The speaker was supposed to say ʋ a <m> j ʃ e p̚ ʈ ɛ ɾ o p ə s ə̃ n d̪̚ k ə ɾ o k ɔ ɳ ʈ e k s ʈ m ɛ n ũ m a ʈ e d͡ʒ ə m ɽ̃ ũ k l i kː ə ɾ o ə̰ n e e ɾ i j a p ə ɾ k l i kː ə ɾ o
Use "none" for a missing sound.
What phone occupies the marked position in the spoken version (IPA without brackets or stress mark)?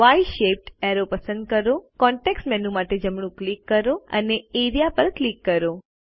none